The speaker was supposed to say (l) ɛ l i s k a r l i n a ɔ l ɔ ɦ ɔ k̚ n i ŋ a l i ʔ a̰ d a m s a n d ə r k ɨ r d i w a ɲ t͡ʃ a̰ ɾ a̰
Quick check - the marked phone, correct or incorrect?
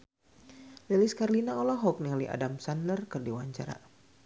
correct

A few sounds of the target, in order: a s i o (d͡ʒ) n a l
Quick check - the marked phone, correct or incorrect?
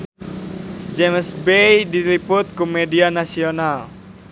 incorrect: none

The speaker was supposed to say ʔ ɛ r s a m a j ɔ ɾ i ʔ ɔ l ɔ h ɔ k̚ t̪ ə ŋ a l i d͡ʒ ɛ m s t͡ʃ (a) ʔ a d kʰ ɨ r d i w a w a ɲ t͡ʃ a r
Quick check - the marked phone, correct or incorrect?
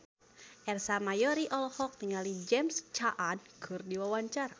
correct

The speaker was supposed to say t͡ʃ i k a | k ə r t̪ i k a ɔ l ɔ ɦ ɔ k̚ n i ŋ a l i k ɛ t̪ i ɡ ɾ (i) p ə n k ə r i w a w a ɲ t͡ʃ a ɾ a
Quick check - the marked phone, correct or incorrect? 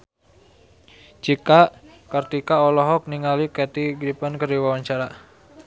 correct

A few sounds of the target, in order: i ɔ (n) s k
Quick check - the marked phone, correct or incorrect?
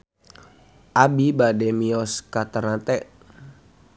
incorrect: none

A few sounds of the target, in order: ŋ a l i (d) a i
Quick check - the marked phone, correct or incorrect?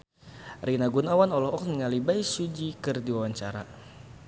incorrect: b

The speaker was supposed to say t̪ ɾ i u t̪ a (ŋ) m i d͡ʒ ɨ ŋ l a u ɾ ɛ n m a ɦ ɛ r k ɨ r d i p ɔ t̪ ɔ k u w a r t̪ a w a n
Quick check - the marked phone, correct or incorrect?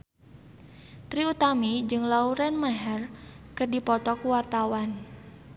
incorrect: none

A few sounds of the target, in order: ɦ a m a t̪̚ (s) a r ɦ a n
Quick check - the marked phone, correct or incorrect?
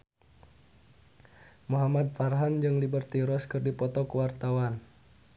incorrect: f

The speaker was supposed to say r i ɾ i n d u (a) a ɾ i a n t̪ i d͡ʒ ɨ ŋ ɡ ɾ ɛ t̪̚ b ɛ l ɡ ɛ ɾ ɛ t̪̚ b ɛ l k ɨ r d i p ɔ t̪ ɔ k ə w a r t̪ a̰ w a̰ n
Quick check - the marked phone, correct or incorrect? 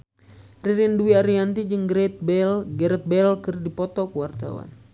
incorrect: i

